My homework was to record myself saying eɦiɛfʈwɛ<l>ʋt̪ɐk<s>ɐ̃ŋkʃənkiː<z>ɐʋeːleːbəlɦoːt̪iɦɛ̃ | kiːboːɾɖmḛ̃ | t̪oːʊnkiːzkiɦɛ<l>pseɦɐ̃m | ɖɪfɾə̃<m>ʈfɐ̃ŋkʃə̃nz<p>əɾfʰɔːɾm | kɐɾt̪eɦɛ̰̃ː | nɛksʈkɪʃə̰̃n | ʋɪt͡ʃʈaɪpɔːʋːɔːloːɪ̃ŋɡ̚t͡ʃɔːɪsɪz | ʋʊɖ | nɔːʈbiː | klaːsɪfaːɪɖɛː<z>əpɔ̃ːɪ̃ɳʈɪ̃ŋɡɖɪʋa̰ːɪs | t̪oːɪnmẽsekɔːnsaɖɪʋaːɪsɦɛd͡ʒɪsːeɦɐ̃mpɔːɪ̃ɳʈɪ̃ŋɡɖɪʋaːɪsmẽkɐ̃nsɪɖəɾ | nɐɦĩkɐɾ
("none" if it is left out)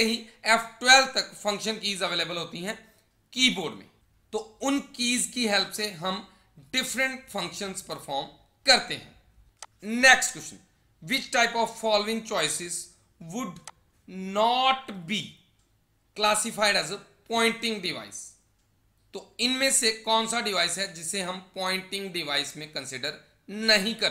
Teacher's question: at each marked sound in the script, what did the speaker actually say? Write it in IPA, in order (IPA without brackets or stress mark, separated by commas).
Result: l, f, z, l, ɳ, p, z